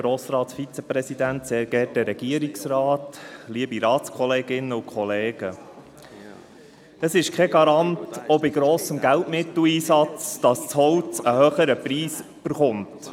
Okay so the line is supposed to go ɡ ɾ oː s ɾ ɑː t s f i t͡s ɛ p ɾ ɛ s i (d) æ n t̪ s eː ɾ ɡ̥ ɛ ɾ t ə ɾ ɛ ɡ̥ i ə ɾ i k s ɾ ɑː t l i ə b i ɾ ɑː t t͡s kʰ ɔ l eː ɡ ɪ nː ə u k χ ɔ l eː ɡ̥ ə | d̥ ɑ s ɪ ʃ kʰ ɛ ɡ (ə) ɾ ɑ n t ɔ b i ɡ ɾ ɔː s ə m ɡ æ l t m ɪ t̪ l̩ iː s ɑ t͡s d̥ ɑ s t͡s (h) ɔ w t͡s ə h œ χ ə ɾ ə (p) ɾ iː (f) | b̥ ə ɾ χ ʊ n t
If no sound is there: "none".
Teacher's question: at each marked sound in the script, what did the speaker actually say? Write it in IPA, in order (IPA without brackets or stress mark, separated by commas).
d, ɑ, h, p, s